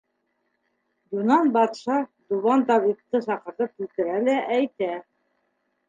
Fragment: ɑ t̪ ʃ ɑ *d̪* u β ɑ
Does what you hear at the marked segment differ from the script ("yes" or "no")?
no